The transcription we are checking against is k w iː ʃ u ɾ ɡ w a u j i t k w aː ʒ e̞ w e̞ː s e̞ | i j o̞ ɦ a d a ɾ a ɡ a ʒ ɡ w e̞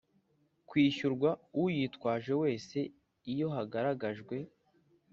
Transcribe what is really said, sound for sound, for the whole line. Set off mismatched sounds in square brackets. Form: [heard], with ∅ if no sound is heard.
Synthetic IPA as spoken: k w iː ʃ u ɾ ɡ w a u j i t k w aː ʒ e̞ w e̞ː s e̞ | i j o̞ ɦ a [ɡ] a ɾ a ɡ a ʒ ɡ w e̞